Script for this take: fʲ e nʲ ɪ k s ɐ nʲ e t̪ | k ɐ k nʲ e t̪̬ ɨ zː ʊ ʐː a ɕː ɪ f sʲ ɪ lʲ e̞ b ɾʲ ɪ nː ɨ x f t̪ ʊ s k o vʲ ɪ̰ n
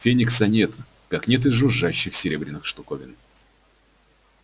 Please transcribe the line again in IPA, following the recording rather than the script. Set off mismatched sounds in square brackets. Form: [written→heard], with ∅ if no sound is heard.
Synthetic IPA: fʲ e nʲ ɪ k s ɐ nʲ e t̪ | k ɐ k nʲ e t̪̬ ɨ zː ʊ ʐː a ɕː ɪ [f→x] sʲ ɪ [lʲ→ɾʲ] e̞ b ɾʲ ɪ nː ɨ x [f→ʂ] t̪ ʊ [s→∅] k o vʲ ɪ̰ n